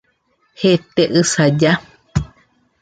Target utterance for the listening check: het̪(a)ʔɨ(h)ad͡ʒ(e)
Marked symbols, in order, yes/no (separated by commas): no, no, no